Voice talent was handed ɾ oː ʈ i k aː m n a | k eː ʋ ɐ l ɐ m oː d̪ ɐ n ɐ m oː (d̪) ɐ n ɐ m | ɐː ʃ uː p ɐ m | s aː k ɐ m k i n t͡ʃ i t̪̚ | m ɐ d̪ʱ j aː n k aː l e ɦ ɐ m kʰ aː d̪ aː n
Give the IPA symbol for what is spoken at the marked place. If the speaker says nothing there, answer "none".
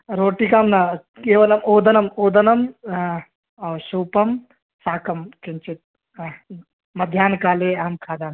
d̪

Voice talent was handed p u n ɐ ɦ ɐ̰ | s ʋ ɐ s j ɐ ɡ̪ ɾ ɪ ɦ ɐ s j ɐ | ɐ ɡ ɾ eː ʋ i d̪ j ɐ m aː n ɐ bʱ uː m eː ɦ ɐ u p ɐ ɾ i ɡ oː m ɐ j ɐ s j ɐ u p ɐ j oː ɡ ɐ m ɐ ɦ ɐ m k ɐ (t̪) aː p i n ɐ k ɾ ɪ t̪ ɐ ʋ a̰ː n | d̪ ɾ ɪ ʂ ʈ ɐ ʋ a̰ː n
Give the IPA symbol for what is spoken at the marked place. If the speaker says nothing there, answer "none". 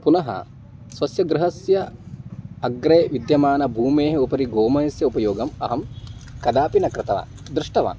d̪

